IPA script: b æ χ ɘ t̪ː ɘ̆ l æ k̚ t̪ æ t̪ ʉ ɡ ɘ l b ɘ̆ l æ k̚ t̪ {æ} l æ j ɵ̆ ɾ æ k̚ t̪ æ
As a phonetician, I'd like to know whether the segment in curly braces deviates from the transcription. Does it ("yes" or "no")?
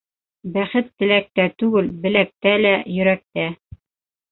no